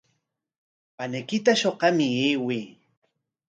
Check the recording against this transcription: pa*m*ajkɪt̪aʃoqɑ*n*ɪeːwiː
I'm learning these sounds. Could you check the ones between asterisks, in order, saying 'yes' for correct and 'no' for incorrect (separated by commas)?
no, no